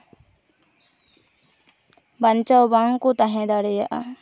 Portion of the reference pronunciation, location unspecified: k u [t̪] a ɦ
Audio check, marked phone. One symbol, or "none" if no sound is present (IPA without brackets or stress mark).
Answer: t̪